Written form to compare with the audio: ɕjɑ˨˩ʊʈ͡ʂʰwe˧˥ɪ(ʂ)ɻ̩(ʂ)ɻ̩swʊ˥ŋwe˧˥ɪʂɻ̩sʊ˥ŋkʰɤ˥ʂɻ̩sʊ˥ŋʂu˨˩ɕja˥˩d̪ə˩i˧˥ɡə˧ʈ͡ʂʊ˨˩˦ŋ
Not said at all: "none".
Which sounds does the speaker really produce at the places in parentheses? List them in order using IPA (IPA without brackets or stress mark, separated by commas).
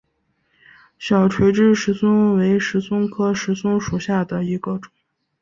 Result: ʈ͡ʂ, ʂ